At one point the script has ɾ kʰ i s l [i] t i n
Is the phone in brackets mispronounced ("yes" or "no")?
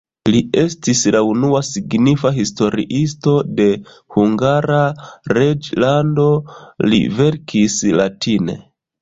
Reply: yes